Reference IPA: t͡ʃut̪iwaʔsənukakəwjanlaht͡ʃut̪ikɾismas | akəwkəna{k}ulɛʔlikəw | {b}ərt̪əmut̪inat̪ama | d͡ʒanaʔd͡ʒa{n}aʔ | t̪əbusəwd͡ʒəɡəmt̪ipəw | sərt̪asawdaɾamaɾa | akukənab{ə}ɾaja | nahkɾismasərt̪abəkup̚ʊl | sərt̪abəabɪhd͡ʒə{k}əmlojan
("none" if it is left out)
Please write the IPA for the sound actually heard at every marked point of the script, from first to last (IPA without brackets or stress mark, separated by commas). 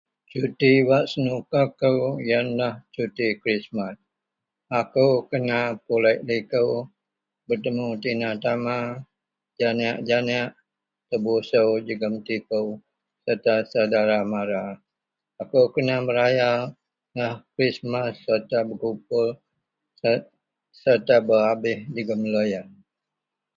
p, b, n, ə, ɡ